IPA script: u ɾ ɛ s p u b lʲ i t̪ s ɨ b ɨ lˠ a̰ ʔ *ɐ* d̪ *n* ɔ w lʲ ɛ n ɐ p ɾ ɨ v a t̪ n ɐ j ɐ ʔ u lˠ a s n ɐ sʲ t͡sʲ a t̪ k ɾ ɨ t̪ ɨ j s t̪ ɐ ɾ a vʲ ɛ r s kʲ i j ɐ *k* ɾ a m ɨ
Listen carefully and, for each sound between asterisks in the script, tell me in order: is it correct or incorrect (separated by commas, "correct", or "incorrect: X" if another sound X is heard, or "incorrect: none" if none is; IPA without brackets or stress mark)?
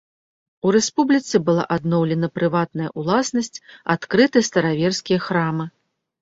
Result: incorrect: a, correct, incorrect: x